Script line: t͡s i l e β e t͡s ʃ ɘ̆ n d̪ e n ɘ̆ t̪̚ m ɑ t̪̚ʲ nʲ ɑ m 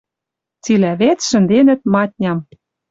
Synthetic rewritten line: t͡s i l æ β e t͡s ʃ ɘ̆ n d̪ e n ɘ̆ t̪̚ m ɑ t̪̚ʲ nʲ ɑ m